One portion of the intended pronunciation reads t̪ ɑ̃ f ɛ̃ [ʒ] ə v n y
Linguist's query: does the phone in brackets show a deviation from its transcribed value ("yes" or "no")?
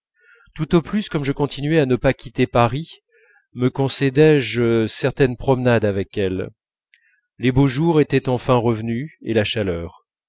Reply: yes